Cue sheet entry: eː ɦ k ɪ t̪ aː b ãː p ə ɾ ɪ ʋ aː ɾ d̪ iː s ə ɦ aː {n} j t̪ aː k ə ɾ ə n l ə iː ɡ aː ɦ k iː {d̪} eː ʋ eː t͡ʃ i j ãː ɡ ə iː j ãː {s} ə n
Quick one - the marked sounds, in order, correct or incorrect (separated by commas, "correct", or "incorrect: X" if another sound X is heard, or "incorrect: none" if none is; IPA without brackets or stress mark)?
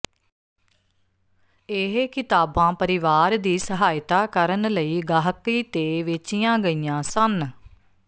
incorrect: none, incorrect: t̪, correct